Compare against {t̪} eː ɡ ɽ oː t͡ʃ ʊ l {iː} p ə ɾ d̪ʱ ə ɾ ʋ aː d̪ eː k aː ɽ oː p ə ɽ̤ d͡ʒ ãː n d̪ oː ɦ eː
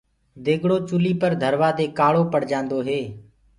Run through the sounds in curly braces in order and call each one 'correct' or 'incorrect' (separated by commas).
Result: incorrect, correct